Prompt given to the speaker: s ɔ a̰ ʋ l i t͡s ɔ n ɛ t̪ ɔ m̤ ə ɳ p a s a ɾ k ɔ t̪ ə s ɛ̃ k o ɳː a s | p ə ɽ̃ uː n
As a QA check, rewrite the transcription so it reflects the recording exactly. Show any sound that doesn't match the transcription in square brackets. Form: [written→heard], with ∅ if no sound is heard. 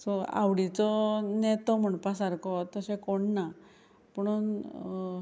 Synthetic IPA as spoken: s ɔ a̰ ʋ [l→ɽ] i t͡s ɔ n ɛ t̪ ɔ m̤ ə ɳ p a s a ɾ k ɔ t̪ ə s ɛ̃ k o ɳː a [s→∅] | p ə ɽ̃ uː n